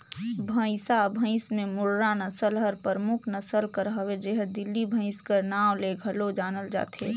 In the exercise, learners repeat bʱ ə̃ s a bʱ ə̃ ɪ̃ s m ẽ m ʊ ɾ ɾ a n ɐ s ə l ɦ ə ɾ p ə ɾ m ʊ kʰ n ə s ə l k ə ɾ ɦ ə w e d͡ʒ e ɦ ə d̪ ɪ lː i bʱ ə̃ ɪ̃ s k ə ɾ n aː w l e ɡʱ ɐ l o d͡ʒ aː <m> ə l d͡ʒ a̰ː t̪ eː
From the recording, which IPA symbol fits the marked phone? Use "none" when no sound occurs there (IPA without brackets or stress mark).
n